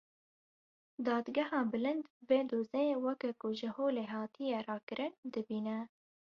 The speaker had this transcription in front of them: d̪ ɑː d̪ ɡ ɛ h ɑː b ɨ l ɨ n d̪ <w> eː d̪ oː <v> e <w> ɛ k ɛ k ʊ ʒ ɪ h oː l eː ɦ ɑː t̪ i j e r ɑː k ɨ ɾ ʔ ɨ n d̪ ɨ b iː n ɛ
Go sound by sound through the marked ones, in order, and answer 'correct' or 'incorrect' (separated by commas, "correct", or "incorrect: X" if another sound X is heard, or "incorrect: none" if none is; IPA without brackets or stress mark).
incorrect: v, incorrect: z, correct